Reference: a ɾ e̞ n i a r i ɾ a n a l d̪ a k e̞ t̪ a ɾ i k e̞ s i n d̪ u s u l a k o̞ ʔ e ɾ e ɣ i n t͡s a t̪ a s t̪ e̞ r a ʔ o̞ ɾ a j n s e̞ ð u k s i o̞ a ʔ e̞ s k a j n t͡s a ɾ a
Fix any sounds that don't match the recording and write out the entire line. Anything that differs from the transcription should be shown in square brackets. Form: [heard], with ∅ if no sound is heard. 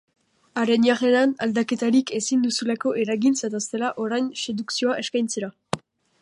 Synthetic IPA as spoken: a ɾ e̞ n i a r [e] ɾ a n a l d̪ a k e̞ t̪ a ɾ i k e̞ s i n d̪ u s u l a k o̞ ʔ e ɾ [a] ɣ i n t͡s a t̪ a s t̪ e̞ [l] a ʔ o̞ ɾ a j n s e̞ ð u k s i o̞ a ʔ e̞ s k a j n t͡s [e] ɾ a